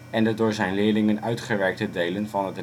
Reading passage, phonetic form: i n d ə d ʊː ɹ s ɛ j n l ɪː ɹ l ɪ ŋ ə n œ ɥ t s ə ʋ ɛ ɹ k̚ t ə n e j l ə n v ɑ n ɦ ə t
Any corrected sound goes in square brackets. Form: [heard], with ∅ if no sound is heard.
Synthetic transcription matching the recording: [ɛ] n d ə d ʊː ɹ [z] ɛ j n l ɪː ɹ l ɪ ŋ ə n œ ɥ t [χ] ə ʋ ɛ ɹ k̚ t ə [d] e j l ə n v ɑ n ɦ ə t